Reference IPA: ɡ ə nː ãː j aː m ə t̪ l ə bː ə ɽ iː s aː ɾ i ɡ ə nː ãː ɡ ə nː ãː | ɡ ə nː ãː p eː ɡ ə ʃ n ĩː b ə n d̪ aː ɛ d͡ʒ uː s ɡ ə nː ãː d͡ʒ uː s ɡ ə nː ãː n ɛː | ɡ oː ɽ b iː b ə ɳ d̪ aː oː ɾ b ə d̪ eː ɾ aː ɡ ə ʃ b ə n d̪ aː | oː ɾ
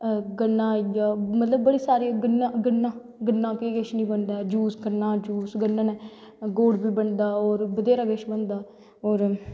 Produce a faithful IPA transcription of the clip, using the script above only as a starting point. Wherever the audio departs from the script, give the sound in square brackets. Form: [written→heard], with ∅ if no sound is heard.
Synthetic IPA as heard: ɡ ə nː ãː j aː m ə t̪ l ə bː ə ɽ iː s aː ɾ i ɡ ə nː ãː ɡ ə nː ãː | ɡ ə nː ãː p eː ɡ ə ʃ n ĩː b ə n d̪ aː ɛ d͡ʒ uː s ɡ ə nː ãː d͡ʒ uː s ɡ ə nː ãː n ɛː | ɡ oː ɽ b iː b ə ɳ d̪ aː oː ɾ b ə d̪ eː ɾ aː ɡ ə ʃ b ə n d̪ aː | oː ɾ